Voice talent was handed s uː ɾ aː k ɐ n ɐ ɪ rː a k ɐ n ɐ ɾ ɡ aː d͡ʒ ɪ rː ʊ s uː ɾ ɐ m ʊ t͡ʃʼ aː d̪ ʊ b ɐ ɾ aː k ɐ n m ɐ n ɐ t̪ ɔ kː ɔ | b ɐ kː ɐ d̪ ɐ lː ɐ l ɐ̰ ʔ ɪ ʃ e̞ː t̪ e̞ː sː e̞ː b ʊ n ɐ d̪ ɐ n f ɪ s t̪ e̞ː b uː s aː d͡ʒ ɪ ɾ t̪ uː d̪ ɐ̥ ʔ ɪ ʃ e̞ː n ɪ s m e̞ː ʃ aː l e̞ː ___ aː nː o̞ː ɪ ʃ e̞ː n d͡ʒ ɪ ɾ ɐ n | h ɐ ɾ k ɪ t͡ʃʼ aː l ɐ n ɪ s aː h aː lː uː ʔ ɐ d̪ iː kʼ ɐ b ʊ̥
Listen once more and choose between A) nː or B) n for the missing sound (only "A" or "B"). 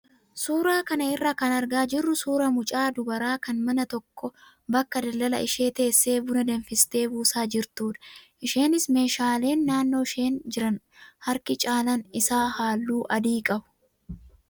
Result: A